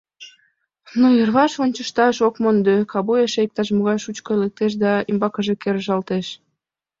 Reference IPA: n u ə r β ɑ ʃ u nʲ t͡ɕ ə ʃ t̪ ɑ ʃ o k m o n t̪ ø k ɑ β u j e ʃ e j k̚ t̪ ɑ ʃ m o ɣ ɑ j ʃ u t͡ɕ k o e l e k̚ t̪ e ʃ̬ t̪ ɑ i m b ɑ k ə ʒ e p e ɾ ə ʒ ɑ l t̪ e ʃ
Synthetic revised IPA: n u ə r β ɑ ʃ o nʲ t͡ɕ ə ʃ t̪ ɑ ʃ o k m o n d̪ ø k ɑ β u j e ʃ e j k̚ t̪ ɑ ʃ m o ɣ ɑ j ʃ u t͡ɕ k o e l e k̚ t̪ e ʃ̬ d̪ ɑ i m b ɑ k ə ʒ e k e ɾ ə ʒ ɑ l t̪ e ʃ